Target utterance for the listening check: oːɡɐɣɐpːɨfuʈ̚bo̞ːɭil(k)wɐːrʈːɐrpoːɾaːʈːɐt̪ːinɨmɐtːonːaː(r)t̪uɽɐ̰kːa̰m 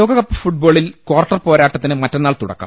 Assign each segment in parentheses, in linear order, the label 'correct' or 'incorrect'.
correct, incorrect: ɭ

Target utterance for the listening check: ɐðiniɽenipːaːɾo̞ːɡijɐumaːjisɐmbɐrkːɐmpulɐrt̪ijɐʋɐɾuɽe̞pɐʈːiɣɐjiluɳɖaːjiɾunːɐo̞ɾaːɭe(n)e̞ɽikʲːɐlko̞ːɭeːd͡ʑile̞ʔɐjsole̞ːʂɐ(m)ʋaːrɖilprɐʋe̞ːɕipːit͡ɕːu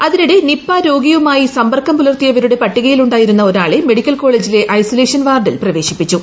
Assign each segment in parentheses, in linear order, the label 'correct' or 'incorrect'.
incorrect: m, incorrect: n

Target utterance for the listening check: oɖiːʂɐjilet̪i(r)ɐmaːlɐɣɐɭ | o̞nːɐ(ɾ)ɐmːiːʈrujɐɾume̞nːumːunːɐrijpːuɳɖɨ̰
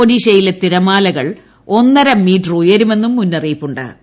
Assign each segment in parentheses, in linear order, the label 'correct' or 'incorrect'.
incorrect: ɾ, correct

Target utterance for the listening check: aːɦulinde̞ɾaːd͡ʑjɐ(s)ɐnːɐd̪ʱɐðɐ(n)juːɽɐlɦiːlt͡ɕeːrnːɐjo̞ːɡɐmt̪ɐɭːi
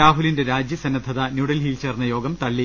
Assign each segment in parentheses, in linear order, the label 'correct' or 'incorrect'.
correct, correct

